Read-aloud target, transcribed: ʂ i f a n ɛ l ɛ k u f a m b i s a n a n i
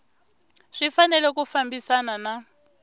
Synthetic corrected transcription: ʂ i f a n ɛ l ɛ k u f a m b i s a n a n a